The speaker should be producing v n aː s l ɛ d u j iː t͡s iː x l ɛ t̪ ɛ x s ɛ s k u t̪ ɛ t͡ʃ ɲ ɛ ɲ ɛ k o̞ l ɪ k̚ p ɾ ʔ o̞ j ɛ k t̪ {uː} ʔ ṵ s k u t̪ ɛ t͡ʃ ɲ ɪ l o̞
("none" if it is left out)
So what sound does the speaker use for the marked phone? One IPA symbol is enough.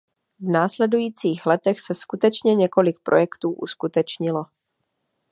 uː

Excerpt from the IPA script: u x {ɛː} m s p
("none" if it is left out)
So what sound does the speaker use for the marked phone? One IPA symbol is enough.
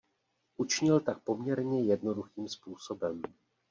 iː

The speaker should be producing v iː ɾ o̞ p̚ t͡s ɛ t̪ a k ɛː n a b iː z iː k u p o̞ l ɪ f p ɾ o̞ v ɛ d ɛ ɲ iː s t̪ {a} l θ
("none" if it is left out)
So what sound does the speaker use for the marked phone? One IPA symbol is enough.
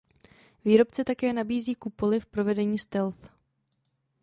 ɛ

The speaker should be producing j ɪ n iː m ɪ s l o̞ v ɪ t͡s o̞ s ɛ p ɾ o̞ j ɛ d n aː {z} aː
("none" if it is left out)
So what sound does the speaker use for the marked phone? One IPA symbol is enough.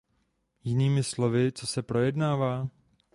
v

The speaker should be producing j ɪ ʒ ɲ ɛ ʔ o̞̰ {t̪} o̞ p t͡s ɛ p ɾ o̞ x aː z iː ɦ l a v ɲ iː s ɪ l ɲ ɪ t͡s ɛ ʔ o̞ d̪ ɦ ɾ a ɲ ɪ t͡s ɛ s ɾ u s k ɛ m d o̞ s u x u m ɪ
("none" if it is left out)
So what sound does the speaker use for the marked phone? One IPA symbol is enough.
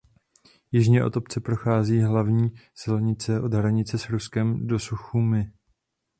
t̪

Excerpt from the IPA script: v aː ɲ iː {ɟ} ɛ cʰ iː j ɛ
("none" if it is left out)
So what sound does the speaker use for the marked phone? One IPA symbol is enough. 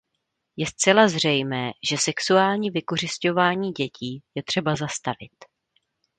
ɟ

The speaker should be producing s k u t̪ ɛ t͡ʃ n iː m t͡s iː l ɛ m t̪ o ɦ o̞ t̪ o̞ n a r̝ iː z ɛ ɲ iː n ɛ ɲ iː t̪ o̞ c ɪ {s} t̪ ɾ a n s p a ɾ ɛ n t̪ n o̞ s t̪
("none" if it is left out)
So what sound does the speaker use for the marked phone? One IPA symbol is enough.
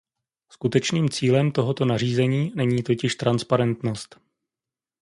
ʃ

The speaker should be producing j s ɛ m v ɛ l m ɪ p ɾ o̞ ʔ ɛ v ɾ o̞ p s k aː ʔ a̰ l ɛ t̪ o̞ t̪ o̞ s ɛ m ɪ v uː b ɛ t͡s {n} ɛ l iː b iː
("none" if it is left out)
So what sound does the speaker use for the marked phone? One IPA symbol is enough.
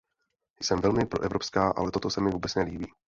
n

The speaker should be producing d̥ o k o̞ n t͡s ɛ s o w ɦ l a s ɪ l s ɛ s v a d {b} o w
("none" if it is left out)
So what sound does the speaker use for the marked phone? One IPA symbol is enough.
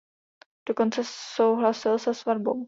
b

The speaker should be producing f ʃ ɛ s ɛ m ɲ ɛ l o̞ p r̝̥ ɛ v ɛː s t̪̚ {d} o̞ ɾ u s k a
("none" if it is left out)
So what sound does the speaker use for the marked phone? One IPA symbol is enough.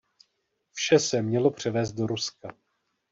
d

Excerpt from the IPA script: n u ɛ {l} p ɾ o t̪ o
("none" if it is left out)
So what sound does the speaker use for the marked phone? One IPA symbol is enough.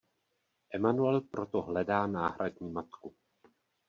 l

